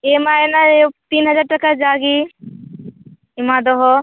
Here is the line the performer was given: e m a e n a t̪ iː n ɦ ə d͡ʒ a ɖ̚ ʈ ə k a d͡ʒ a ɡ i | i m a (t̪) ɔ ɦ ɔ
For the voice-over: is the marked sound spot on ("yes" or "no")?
no